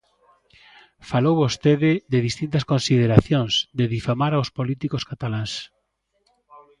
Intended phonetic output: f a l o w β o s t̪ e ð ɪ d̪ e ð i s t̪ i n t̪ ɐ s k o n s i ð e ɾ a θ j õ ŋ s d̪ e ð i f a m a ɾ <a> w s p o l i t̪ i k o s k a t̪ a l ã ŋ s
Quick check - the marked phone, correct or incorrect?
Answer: correct